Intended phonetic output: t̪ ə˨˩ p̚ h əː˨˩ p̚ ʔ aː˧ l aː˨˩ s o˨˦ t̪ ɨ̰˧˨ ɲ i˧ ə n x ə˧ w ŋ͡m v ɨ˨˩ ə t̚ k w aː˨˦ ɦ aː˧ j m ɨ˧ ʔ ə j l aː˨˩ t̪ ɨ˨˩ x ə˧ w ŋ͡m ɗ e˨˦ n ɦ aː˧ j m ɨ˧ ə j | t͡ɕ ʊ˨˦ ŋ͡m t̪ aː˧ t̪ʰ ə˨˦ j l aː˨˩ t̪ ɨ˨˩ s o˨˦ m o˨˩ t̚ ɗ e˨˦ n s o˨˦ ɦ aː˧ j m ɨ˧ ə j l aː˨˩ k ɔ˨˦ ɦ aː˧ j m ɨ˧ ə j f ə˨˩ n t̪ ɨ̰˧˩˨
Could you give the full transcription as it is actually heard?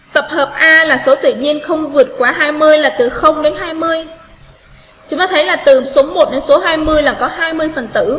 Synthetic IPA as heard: t̪ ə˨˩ p̚ h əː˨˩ p̚ ʔ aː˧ l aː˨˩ s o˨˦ t̪ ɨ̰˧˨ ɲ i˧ ə n x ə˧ w ŋ͡m v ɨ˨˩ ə t̚ k w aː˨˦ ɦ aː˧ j m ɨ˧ ə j l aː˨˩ t̪ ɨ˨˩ x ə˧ w ŋ͡m ɗ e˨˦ n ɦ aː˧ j m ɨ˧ ə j | t͡ɕ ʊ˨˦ ŋ͡m t̪ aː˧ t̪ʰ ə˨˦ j l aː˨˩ t̪ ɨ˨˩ s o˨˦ m o˨˩ t̚ ɗ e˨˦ n s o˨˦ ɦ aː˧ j m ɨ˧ ə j l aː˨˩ k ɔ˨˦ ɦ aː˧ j m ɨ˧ ə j f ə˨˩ n t̪ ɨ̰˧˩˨